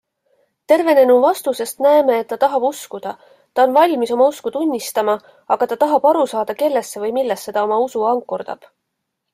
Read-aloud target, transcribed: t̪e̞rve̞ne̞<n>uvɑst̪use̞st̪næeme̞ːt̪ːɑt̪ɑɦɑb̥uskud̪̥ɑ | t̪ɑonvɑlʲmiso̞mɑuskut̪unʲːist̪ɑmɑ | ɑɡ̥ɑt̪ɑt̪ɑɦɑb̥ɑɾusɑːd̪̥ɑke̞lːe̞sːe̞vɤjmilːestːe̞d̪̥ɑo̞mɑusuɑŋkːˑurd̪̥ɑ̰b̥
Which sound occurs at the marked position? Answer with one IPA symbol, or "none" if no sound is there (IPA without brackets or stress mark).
n